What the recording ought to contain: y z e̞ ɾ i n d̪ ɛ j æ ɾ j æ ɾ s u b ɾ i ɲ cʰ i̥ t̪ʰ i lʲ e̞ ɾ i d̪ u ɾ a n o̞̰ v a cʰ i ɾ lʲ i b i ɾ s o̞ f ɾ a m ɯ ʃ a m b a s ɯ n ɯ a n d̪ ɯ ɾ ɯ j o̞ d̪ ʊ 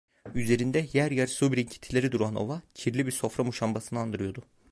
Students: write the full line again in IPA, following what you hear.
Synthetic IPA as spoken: y z e̞ ɾ i n d̪ ɛ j æ ɾ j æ ɾ s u b ɾ i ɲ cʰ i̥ t̪ʰ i lʲ e̞ ɾ i d̪ u ɾ a n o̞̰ v a cʰ i ɾ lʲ i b i ɾ s o̞ f ɾ a m u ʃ a m b a s ɯ n ɯ a n d̪ ɯ ɾ ɯ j o̞ d̪ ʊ